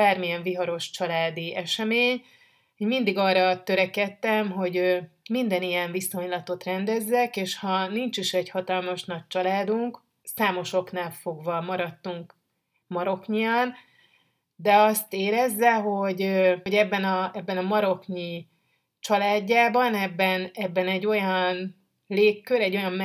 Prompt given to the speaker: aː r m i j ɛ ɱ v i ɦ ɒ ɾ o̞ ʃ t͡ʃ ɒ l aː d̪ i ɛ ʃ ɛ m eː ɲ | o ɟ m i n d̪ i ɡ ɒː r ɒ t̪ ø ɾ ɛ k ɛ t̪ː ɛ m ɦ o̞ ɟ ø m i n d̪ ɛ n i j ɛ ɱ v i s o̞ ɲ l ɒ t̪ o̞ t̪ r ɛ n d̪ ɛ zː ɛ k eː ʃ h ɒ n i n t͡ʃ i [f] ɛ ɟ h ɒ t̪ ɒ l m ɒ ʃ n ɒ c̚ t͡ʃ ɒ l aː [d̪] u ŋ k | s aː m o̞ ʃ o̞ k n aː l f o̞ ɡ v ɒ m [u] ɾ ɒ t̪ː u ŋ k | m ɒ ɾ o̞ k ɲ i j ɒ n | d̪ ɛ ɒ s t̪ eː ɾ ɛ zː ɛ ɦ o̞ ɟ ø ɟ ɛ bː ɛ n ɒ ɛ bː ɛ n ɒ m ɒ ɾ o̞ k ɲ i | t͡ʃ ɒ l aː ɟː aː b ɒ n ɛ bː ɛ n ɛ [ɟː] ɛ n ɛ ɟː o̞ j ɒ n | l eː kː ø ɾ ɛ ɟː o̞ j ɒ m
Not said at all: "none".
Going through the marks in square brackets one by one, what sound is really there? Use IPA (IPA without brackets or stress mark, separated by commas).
ʃ, d̪, ɒ, bː